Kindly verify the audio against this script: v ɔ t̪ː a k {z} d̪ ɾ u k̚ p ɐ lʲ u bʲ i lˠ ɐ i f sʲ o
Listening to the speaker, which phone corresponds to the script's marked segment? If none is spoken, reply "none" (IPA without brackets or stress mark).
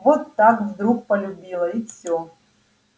v